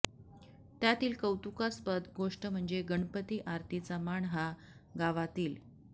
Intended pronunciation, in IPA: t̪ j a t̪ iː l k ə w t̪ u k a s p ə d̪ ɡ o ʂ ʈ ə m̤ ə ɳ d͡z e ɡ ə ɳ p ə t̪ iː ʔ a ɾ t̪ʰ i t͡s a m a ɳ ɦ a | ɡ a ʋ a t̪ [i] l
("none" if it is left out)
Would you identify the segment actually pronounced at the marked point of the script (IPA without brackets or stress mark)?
iː